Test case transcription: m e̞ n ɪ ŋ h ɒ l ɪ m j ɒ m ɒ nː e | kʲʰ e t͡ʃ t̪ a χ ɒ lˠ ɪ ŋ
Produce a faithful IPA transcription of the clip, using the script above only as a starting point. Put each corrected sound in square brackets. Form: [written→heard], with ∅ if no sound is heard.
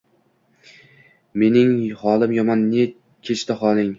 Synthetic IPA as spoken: m e̞ n ɪ ŋ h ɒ l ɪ m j ɒ m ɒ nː e | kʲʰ e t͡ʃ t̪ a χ ɒ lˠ ɪ ŋ